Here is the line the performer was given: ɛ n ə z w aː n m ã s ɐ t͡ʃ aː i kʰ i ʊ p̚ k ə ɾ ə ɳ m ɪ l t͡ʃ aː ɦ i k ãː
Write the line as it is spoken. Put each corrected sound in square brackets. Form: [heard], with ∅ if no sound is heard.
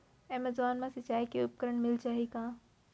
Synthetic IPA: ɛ [m] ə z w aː n m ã s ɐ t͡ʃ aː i [k] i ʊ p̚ k ə ɾ ə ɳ m ɪ l t͡ʃ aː ɦ i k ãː